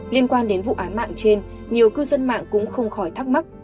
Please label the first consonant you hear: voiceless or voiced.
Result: voiced